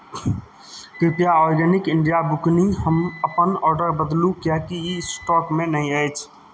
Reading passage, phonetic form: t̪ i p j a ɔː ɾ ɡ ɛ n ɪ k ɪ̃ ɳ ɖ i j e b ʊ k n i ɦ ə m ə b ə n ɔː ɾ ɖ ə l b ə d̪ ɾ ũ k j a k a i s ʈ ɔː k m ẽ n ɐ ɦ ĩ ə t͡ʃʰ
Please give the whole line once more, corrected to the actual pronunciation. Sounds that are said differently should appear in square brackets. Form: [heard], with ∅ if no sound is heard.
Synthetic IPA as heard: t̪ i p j a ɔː ɾ ɡ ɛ n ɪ k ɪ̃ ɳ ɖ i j [a] b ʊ k n i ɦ ə m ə [p] ə n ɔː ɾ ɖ ə [ɾ] b ə d̪ [l] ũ k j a k [i] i s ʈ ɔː k m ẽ n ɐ ɦ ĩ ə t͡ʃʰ